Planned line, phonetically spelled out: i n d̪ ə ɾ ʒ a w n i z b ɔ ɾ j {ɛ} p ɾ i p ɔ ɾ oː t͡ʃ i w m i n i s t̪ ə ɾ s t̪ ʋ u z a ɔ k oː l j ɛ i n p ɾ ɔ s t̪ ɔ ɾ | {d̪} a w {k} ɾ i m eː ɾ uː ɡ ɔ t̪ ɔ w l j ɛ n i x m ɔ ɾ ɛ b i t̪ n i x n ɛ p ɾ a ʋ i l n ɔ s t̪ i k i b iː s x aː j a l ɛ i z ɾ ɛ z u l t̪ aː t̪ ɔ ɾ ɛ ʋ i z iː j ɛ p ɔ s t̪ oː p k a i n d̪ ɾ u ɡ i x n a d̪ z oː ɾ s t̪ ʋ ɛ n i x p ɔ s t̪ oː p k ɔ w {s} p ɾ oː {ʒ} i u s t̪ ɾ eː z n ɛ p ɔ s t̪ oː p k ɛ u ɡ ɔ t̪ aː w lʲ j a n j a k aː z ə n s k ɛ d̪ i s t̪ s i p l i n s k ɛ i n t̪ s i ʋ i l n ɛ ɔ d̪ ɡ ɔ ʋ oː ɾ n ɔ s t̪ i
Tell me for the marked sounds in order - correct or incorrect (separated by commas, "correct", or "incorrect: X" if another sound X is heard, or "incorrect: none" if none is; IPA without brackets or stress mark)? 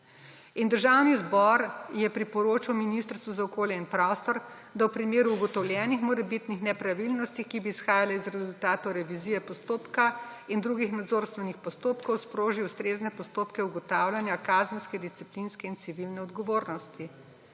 correct, correct, incorrect: p, correct, correct